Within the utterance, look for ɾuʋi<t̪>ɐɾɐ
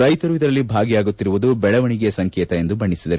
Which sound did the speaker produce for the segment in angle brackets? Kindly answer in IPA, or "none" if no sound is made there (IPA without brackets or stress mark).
d̪